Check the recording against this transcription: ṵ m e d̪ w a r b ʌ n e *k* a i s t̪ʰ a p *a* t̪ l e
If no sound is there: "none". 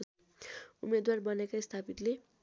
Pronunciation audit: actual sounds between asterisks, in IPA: k, i

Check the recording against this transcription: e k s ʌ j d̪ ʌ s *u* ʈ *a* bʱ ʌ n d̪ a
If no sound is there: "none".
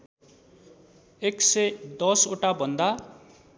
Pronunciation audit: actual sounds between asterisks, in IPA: o, a

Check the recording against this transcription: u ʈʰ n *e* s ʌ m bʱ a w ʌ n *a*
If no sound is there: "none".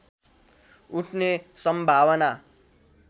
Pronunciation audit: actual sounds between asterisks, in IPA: e, a

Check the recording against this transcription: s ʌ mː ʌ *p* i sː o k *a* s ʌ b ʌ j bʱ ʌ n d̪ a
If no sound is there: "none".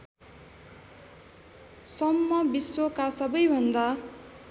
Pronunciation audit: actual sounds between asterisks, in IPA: b, a

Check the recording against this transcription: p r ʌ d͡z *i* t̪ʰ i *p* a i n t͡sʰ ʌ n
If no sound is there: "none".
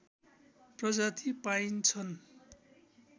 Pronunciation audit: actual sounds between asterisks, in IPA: a, p

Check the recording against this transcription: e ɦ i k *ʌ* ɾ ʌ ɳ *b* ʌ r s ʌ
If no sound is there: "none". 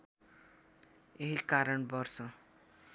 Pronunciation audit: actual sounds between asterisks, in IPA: a, b

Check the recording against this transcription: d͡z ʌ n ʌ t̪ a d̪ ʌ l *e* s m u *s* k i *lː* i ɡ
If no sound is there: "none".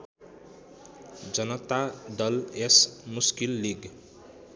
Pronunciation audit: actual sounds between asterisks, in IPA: e, s, lː

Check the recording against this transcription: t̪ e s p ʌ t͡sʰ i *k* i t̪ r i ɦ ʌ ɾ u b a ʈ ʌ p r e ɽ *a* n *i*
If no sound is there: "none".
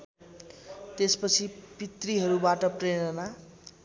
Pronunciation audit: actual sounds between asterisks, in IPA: p, ʌ, a

